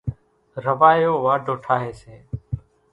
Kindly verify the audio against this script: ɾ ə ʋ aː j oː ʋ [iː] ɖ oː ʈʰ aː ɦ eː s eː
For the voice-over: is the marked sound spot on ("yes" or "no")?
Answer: no